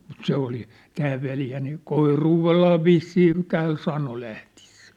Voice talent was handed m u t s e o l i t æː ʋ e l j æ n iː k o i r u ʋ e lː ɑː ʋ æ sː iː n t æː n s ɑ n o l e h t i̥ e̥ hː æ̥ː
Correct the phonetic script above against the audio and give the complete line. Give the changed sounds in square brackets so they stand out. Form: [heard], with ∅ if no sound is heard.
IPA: m u t s e o l i t æː ʋ e l j æ n iː k o i r [uː] ʋ e lː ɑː ʋ [i] sː iː n t æː n s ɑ n o l [æ] h t i̥ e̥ [sː] æ̥ː